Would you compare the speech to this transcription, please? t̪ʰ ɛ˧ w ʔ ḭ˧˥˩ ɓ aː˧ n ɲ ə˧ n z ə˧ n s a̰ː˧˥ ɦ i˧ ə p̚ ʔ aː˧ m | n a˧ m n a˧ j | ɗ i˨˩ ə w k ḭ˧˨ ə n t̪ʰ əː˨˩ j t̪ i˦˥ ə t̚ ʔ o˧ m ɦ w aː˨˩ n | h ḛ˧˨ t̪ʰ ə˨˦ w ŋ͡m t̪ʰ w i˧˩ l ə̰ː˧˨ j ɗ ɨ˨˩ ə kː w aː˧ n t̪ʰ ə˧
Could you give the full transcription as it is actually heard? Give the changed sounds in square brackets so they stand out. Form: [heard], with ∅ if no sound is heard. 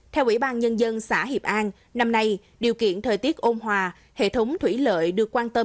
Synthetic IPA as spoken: t̪ʰ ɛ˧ w ʔ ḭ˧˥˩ ɓ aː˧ n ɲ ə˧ n z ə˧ n s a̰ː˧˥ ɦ [i˨˩] ə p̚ ʔ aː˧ [n] | n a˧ m n a˧ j | ɗ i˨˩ ə w k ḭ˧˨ ə n t̪ʰ əː˨˩ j t̪ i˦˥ ə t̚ ʔ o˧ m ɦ w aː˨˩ [∅] | h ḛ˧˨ t̪ʰ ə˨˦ w ŋ͡m t̪ʰ w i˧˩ l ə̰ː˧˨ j ɗ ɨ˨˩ ə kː w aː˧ n [t̪] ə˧